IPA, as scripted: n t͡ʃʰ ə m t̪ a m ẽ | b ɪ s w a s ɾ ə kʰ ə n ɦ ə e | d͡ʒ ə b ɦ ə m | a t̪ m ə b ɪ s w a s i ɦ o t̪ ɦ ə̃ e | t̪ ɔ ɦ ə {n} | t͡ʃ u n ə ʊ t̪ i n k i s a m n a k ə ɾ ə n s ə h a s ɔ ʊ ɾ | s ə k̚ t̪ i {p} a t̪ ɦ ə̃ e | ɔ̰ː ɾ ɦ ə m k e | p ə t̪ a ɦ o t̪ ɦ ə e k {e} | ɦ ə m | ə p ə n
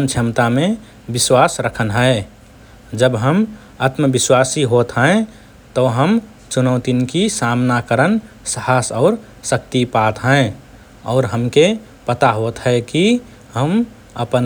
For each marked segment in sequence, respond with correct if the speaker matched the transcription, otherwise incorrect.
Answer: incorrect: m, correct, incorrect: i

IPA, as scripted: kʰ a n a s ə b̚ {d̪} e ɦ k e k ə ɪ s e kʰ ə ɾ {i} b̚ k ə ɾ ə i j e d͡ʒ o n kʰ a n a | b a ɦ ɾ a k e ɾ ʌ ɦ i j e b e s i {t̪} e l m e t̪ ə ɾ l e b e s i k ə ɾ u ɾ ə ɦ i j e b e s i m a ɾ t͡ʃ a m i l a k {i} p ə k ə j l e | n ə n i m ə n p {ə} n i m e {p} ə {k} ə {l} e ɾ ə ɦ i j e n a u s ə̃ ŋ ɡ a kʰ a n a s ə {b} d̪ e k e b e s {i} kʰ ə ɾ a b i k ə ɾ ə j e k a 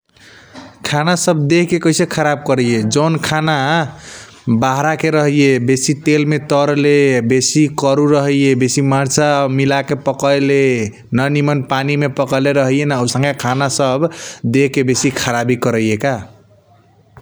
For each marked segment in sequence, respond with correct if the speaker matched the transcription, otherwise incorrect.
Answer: correct, incorrect: a, correct, incorrect: e, incorrect: a, correct, correct, correct, correct, correct

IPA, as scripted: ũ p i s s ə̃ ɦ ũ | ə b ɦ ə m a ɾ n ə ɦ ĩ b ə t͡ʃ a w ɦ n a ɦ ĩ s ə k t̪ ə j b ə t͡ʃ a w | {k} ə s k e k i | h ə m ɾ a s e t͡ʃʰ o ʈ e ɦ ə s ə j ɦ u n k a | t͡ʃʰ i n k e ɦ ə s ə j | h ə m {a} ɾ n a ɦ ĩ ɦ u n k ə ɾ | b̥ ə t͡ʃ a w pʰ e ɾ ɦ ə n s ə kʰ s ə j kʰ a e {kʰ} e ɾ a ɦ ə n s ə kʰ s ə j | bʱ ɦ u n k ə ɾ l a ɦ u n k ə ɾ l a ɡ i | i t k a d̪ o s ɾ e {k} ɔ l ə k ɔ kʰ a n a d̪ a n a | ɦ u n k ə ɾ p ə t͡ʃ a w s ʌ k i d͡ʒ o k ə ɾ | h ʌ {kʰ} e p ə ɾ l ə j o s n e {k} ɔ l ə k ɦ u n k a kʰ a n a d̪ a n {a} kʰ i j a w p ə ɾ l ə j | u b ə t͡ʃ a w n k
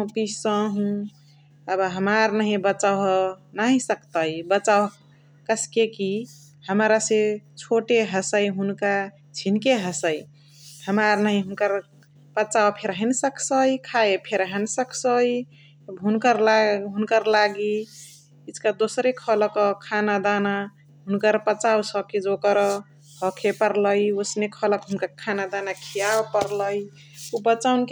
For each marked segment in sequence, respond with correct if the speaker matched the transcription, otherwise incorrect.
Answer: correct, correct, incorrect: pʰ, incorrect: kʰ, correct, incorrect: kʰ, correct

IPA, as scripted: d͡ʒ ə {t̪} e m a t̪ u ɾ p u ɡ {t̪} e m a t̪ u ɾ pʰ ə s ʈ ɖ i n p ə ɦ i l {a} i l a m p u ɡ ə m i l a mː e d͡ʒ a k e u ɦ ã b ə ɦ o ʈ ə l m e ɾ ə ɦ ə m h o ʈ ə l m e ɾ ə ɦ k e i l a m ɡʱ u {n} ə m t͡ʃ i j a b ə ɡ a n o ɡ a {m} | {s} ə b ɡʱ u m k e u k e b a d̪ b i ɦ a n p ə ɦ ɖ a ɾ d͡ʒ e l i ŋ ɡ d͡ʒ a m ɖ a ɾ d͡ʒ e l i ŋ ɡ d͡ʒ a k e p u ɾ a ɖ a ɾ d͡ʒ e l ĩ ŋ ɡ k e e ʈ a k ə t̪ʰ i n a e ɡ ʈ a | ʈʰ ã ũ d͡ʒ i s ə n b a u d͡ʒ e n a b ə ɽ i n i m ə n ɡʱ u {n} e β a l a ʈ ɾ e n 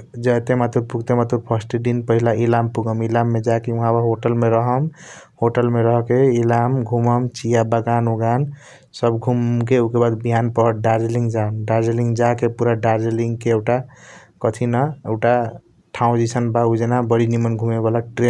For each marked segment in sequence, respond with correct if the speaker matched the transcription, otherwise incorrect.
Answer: correct, correct, correct, incorrect: m, incorrect: n, correct, incorrect: m

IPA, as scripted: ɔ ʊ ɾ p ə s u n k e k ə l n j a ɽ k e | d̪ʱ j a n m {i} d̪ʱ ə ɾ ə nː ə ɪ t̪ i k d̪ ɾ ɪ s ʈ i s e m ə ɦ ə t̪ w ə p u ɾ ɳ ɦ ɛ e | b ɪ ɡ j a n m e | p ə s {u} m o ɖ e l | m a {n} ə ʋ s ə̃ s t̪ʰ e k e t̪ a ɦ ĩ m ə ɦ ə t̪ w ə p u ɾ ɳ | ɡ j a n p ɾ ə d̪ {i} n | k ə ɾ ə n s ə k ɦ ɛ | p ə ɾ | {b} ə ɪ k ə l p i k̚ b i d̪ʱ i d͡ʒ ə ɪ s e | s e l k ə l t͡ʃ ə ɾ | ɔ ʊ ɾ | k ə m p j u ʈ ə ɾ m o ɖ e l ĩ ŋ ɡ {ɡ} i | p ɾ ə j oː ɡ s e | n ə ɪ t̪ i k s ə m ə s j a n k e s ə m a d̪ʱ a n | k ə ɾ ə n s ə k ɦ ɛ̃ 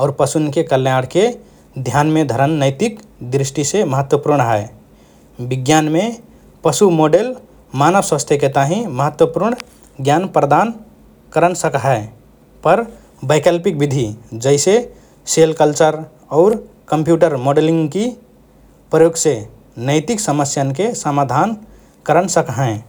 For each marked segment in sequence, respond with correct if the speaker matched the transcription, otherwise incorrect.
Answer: incorrect: e, correct, correct, incorrect: a, correct, incorrect: k

